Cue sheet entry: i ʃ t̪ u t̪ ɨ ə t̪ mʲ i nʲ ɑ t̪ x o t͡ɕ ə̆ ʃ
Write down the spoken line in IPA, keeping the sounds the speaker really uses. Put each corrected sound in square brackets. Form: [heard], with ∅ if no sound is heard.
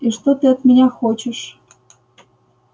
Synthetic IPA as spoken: i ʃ t̪ [o] t̪ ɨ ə t̪ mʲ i nʲ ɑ [∅] x o t͡ɕ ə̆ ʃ